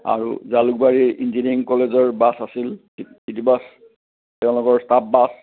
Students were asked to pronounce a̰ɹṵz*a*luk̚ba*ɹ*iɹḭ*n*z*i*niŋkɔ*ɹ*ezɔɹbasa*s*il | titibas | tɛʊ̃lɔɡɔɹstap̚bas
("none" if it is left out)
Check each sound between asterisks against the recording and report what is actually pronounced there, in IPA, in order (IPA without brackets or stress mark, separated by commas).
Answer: a, ɹ, n, i, l, s